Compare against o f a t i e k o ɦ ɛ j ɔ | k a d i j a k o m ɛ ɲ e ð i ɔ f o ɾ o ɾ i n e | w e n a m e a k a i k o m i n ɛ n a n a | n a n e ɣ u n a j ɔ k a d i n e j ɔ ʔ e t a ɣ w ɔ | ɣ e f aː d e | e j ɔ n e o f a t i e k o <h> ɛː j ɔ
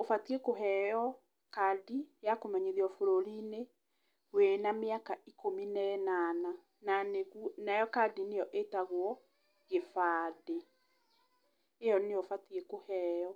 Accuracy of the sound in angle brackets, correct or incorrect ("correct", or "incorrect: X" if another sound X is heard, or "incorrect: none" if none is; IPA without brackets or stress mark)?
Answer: correct